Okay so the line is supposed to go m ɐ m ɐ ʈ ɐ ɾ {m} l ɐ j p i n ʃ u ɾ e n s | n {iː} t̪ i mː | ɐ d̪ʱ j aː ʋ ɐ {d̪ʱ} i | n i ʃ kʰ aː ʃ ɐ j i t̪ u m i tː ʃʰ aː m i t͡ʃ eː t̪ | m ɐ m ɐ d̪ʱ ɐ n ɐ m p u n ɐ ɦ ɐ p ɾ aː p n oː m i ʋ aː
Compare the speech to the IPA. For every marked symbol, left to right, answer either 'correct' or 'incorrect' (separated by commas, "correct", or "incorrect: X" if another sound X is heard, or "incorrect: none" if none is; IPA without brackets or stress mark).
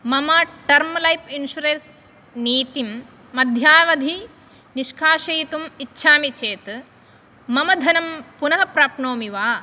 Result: correct, correct, correct